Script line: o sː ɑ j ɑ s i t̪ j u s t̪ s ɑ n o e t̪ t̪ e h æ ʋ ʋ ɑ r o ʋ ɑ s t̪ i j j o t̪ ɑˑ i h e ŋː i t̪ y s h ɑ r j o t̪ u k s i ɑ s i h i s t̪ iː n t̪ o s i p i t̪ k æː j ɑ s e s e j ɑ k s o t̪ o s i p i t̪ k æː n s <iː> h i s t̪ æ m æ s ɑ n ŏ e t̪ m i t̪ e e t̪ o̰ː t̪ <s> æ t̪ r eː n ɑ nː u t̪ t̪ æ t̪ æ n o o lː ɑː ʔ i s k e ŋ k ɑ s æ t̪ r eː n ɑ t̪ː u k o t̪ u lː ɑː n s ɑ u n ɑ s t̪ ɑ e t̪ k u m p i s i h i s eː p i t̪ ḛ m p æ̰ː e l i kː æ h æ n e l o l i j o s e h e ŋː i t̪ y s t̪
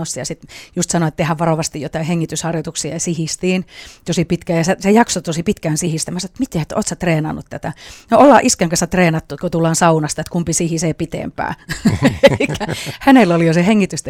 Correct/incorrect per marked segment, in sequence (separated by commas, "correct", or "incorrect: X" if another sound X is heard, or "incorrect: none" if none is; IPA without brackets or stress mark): incorrect: i, correct